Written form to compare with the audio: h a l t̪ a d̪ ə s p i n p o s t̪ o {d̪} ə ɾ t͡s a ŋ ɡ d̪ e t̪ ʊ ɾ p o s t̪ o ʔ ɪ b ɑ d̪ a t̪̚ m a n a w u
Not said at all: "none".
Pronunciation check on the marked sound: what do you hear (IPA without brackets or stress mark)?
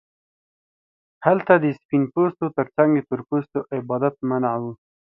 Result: t̪